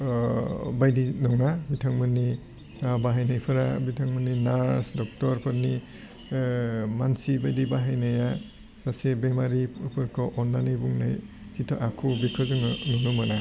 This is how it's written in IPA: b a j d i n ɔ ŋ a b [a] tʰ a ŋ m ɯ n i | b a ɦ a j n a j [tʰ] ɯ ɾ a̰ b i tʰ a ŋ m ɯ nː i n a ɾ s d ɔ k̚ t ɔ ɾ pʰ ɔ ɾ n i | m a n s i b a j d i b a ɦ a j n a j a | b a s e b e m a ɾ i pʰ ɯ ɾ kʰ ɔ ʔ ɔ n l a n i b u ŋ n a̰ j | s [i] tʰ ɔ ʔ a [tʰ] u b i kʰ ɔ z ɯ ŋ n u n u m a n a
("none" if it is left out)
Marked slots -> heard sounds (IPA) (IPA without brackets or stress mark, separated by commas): i, pʰ, i, kʰ